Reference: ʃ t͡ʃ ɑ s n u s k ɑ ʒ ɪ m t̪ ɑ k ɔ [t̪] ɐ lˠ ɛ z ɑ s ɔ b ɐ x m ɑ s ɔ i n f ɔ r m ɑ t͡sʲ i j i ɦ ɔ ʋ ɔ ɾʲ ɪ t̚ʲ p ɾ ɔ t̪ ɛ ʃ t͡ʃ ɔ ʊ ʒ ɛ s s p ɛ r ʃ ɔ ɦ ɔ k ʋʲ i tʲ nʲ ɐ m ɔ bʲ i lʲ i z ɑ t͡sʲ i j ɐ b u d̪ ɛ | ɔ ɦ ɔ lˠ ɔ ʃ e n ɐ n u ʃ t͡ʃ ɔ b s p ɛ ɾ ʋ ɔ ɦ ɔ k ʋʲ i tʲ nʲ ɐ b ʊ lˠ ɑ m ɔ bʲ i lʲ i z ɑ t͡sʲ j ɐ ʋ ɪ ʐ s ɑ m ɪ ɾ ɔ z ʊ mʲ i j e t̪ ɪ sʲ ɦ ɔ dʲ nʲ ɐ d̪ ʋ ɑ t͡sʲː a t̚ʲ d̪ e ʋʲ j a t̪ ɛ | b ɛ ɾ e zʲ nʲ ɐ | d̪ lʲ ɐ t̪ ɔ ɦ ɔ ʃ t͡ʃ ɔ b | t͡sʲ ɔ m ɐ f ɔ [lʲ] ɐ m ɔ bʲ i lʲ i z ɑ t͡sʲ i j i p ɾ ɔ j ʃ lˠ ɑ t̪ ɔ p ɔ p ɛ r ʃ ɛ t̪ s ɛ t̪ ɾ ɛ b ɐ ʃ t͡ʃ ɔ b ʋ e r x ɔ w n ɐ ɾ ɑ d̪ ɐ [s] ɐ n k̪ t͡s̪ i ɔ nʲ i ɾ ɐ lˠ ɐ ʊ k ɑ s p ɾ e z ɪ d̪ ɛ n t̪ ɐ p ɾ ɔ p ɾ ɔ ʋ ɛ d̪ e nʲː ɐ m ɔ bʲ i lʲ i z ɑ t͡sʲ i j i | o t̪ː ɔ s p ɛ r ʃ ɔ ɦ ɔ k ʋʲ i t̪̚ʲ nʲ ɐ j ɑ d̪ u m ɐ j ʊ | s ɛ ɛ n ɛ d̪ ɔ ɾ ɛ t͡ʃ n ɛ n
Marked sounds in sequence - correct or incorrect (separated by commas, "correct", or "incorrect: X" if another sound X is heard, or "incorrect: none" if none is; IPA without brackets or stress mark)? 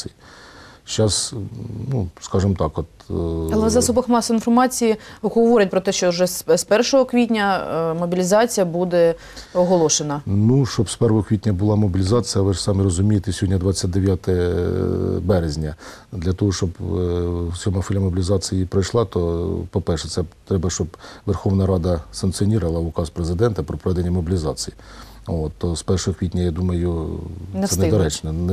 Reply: correct, correct, correct